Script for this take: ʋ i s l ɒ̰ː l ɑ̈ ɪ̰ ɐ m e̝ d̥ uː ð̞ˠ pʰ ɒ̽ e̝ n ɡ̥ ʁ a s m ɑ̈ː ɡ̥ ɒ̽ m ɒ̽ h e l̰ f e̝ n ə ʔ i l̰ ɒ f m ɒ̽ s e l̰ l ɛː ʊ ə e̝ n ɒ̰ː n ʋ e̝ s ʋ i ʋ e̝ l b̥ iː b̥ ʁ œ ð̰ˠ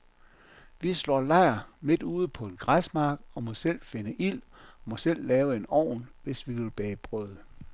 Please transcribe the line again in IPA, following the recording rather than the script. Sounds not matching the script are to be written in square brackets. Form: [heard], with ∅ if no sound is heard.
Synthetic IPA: ʋ i s l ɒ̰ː l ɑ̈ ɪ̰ ɐ m e̝ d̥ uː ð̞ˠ pʰ ɒ̽ e̝ n ɡ̥ ʁ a s m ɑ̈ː ɡ̥ ɒ̽ m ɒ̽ [s] e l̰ f e̝ n ə ʔ i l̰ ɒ [∅] m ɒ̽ s e l̰ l ɛː ʊ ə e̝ n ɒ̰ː n ʋ e̝ s ʋ i ʋ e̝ l b̥ [ɛː] b̥ ʁ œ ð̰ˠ